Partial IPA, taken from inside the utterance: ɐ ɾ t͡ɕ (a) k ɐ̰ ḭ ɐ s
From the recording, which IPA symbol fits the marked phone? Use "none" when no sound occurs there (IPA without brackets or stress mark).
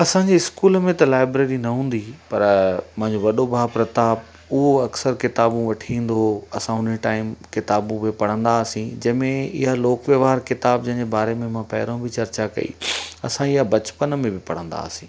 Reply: a